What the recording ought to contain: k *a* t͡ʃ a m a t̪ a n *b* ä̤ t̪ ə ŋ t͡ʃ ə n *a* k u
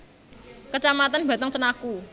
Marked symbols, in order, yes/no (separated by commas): no, yes, yes